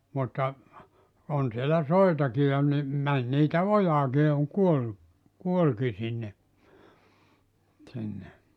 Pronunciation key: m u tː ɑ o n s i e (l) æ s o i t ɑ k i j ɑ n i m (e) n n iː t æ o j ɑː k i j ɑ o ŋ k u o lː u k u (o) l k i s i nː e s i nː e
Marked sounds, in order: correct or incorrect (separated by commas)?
correct, incorrect, correct